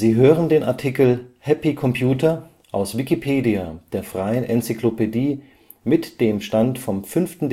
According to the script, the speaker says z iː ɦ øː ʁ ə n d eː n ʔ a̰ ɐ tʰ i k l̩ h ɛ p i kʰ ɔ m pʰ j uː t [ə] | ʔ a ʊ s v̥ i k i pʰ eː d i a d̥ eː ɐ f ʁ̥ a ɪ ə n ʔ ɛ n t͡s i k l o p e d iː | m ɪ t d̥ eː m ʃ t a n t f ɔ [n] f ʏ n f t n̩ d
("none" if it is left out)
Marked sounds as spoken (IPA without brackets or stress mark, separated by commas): ɐ, m